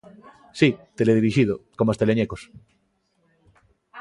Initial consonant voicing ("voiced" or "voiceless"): voiceless